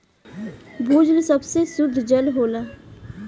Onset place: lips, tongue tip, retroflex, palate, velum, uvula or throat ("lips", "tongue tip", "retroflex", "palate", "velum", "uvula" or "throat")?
lips